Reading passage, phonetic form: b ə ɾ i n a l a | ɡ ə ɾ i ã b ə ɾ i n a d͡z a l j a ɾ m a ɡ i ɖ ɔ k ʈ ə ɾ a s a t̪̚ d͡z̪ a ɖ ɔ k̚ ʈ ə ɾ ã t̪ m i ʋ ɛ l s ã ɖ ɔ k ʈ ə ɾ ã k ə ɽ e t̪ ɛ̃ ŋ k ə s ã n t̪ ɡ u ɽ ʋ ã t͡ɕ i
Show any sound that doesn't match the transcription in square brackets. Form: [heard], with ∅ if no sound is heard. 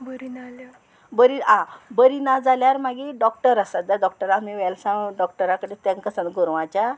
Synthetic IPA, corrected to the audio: b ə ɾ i n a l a | [b] ə ɾ i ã b ə ɾ i n a d͡z a l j a ɾ m a ɡ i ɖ ɔ k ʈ ə ɾ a s a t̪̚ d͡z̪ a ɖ ɔ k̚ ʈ ə ɾ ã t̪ m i ʋ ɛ l s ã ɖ ɔ k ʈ ə ɾ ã k ə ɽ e t̪ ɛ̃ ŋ k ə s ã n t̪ ɡ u [ɾ] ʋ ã t͡ɕ [a]